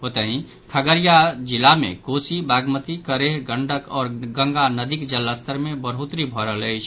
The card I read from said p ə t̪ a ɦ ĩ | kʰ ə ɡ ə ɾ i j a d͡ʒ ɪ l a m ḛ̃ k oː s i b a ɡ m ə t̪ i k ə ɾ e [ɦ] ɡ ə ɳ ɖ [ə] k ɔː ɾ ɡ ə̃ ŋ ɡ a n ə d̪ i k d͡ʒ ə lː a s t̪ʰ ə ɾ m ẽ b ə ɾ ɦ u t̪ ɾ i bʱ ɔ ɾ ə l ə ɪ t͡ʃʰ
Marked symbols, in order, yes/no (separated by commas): yes, yes